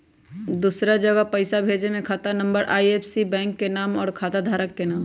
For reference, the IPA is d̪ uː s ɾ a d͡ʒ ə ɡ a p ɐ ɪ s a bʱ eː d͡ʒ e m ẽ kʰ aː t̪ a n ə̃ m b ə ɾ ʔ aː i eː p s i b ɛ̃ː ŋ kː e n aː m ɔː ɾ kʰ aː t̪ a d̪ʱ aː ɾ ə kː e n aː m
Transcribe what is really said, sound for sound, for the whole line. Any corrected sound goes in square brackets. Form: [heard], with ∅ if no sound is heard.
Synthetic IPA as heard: d̪ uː s ɾ a d͡ʒ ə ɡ [ə] p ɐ ɪ s a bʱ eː d͡ʒ e m ẽ kʰ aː t̪ a n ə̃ m b ə ɾ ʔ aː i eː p s i b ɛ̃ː ŋ kː e n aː m ɔː ɾ kʰ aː t̪ a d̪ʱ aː ɾ ə kː e n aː m